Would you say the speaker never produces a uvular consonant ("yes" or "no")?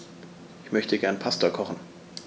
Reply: no